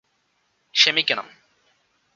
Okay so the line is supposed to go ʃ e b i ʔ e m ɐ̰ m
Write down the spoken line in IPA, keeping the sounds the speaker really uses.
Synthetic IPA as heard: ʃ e m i k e n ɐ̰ m